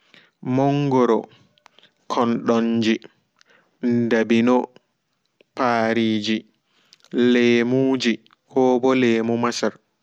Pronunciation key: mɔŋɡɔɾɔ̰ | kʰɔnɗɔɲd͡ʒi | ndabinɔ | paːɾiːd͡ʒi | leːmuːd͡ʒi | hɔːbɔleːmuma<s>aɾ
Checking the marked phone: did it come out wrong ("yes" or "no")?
no